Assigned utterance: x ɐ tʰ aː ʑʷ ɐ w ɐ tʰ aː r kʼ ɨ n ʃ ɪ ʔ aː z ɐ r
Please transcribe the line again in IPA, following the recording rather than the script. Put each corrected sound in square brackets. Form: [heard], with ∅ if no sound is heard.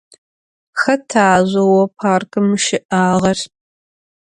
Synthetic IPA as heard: x ɐ tʰ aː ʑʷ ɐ w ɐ [pʰ] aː r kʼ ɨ [m] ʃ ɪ ʔ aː [ʁ] ɐ r

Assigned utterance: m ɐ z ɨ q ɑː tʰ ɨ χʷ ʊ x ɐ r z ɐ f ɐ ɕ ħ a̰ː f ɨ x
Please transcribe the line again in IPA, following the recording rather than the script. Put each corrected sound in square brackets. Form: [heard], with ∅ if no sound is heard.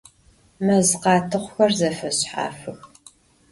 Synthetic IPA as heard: m ɐ z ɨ q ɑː tʰ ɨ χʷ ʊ x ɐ r z ɐ f ɐ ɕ ħ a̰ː f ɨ x

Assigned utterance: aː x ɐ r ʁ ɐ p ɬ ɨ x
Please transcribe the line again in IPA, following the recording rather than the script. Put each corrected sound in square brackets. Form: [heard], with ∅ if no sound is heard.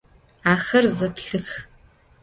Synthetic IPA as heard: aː x ɐ r [z] ɐ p ɬ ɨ x

